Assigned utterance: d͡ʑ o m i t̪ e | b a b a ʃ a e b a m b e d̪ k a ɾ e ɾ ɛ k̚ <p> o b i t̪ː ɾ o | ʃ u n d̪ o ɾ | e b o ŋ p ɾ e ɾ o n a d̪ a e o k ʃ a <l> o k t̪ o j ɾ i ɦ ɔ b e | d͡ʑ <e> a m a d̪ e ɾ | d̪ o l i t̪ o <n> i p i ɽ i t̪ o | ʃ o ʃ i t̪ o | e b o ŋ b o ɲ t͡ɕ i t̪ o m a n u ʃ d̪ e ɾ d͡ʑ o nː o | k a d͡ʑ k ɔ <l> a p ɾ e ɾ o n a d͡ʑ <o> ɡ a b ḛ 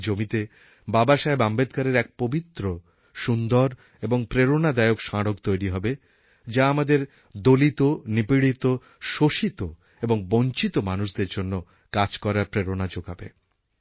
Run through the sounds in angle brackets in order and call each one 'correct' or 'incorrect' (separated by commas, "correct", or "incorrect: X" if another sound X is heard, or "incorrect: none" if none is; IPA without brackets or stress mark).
correct, incorrect: ɽ, incorrect: a, correct, incorrect: ɾ, correct